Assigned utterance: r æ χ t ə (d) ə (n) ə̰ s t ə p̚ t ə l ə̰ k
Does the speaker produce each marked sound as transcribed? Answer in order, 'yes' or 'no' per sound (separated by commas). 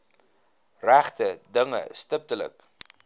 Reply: yes, no